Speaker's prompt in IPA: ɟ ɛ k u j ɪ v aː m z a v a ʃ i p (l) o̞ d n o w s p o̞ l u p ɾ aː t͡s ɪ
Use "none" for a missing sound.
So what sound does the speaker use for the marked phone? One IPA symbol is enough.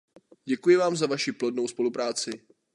l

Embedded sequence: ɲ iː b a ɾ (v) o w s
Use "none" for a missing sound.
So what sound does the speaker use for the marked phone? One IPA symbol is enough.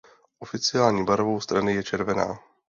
v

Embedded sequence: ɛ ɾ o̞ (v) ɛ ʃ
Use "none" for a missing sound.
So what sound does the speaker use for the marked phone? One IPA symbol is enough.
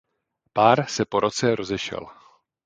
z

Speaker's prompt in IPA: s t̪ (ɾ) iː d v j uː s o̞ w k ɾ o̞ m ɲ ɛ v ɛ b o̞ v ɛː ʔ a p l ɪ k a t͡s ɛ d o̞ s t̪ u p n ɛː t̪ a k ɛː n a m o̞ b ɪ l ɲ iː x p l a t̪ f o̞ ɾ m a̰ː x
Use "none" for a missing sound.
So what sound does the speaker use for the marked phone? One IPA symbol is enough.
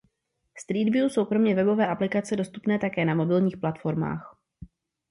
ɾ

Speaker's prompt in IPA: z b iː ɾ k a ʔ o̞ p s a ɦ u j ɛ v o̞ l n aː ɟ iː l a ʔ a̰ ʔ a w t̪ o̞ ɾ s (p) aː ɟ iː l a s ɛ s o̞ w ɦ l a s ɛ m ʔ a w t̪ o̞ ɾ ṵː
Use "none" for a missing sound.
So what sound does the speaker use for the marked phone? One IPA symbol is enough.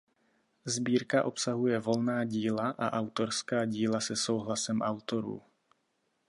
k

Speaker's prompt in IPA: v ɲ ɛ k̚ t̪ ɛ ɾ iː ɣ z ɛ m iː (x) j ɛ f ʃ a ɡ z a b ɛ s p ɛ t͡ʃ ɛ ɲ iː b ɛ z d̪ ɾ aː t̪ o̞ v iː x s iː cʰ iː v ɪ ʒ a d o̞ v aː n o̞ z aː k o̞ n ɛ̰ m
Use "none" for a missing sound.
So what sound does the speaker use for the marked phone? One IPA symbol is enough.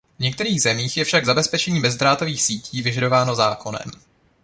x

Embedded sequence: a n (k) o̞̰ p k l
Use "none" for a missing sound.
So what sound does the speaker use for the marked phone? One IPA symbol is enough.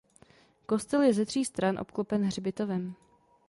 ʔ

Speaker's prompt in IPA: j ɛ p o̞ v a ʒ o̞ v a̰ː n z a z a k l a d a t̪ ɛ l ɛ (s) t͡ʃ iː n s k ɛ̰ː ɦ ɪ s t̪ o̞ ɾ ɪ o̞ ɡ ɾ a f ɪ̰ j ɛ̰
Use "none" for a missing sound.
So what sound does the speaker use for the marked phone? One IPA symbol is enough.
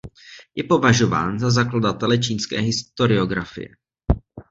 none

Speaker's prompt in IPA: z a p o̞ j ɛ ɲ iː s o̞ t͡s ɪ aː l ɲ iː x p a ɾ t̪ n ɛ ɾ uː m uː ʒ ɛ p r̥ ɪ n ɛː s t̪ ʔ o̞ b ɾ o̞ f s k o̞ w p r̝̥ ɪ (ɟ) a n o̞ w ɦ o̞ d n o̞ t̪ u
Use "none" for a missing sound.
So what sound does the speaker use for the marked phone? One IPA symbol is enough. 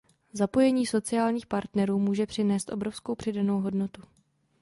d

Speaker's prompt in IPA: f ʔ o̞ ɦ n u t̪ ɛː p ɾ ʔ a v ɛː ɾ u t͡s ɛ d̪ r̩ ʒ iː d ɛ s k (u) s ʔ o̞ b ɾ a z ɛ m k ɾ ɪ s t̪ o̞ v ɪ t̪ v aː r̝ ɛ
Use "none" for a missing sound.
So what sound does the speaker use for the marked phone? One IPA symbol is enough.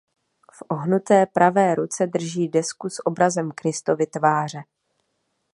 u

